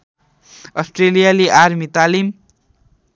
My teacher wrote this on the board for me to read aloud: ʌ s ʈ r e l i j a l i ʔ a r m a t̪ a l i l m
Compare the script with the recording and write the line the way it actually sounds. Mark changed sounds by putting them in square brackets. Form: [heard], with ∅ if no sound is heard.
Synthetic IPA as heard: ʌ s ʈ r e l i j a l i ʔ a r m [i] t̪ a l i [∅] m